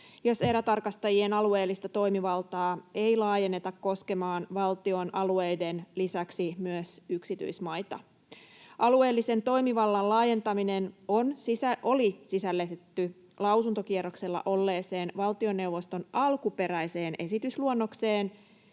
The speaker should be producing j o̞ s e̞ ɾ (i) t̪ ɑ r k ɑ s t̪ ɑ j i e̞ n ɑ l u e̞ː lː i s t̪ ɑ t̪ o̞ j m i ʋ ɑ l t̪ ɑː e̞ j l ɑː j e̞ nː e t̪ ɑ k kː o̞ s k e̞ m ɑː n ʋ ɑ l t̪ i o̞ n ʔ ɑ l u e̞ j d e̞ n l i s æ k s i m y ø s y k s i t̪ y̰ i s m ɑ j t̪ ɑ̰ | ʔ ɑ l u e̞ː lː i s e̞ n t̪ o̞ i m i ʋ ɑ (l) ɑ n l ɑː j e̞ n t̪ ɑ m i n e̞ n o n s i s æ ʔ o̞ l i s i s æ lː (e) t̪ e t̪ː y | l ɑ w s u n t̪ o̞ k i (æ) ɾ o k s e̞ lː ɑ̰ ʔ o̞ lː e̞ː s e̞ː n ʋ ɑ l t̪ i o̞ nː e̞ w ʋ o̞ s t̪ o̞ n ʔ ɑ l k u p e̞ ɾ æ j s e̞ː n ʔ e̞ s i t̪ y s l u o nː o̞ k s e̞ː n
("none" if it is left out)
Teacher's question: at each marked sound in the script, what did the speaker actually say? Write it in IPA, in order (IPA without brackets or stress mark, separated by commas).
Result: æ, lː, e, e